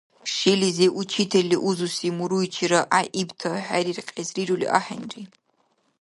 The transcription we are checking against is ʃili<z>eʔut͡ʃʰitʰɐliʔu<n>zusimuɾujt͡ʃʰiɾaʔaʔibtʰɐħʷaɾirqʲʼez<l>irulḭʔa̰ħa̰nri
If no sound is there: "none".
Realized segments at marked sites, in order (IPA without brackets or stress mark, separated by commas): z, none, r